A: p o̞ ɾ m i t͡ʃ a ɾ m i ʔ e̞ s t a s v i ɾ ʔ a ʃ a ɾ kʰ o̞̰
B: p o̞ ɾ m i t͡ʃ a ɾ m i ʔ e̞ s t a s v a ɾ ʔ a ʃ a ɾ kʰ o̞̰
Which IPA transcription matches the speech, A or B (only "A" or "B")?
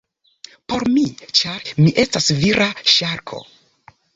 A